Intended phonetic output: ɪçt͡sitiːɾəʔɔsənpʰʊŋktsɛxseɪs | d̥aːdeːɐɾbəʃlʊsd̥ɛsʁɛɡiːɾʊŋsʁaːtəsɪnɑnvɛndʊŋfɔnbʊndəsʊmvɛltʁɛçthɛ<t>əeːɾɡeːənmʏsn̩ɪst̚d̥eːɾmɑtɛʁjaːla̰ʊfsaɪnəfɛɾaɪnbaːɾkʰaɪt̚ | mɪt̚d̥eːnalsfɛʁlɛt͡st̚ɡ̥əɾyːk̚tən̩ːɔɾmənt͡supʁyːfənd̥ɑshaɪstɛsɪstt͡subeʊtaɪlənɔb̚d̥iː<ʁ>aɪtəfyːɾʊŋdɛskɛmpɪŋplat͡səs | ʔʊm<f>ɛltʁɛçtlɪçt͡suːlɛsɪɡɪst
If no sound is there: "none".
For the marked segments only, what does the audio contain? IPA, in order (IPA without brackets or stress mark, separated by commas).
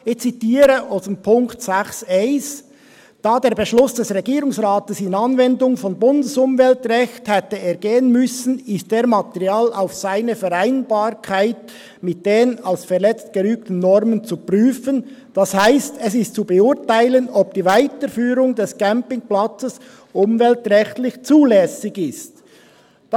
t, v, v